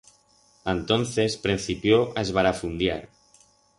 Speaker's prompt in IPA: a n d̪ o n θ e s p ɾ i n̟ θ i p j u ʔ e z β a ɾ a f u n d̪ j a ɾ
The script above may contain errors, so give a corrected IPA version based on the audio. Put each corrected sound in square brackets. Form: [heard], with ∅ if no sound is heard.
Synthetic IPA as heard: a n [t̪] o n θ e s p ɾ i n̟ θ i p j [o] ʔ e z β a ɾ a f u n d̪ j a ɾ